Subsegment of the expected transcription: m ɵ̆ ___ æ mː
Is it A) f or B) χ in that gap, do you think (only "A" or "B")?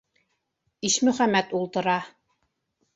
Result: B